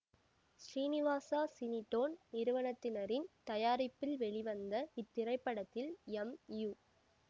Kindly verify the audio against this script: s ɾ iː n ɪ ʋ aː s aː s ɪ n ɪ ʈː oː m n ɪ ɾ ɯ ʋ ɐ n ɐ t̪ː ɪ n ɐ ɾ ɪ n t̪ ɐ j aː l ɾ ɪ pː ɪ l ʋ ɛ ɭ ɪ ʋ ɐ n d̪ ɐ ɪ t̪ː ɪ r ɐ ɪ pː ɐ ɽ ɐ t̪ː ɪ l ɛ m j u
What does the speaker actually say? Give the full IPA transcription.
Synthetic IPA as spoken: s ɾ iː n ɪ ʋ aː s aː s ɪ n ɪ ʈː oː n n ɪ ɾ ɯ ʋ ɐ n ɐ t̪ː ɪ n ɐ ɾ ɪ n t̪ ɐ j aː ɾ ɪ pː ɪ l ʋ ɛ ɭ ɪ ʋ ɐ n d̪ ɐ ɪ t̪ː ɪ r ɐ ɪ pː ɐ ɽ ɐ t̪ː ɪ l ɛ m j u